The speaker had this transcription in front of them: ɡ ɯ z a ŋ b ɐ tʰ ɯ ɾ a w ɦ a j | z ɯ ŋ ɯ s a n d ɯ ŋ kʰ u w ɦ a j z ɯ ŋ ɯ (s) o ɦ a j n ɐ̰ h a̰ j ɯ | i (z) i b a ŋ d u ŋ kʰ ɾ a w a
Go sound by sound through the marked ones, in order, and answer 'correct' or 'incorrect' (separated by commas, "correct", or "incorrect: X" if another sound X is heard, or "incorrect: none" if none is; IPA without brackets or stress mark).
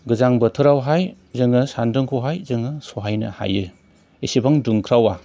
correct, incorrect: s